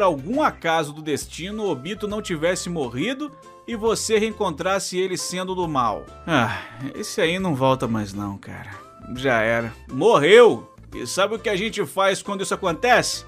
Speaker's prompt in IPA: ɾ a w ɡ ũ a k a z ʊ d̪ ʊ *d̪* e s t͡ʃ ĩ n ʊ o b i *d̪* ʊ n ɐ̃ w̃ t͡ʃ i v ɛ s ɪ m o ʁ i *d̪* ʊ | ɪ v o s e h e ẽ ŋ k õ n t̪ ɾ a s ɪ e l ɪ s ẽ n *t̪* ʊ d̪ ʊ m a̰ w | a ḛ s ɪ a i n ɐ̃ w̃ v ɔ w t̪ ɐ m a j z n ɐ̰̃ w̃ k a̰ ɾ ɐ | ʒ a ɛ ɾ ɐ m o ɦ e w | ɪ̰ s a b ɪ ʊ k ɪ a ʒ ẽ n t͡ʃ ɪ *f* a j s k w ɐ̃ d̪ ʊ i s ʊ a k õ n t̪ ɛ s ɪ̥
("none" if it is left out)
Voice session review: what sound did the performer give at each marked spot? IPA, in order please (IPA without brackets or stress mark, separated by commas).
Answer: d̪, t̪, d̪, d̪, f